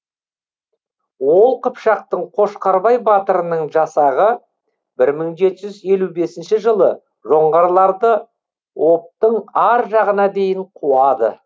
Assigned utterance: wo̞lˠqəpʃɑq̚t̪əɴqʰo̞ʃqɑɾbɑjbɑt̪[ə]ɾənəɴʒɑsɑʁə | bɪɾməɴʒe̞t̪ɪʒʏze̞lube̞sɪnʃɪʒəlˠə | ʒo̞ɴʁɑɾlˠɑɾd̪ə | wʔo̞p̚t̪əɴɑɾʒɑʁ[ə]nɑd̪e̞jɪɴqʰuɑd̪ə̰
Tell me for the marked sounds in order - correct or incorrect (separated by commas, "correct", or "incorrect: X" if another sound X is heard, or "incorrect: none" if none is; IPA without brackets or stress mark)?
correct, correct